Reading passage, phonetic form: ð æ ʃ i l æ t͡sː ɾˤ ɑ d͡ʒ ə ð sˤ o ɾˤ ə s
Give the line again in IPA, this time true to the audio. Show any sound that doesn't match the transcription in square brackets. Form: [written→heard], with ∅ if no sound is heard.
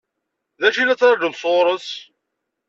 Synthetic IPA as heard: ð æ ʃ i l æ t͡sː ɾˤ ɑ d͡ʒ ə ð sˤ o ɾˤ ə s